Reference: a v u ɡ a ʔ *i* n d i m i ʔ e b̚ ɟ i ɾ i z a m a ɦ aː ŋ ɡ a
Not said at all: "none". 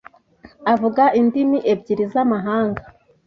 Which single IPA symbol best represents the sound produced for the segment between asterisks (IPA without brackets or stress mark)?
i